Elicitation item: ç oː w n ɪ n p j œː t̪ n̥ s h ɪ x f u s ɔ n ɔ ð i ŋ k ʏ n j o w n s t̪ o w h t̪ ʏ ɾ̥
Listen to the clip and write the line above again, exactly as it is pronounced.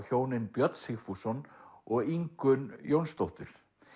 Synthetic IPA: ç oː w n ɪ n p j œ t̪ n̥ s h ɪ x f u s ɔ n ɔ ɣ i ŋ k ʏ n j o w n s t̪ o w h t̪ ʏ ɾ̥